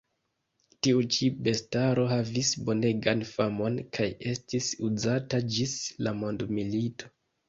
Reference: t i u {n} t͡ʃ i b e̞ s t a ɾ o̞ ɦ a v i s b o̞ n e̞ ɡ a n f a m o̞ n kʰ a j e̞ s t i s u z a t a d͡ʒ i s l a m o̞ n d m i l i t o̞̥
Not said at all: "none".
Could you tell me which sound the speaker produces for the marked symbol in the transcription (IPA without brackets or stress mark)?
none